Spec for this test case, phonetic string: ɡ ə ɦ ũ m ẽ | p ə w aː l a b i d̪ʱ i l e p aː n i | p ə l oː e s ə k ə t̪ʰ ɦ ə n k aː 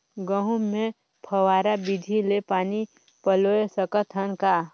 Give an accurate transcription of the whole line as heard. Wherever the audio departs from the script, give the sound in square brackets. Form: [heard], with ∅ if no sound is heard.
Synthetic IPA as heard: ɡ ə ɦ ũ m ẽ | [pʰ] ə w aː [ɾ] a b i d̪ʱ i l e p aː n i | p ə l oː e s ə k ə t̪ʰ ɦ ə n k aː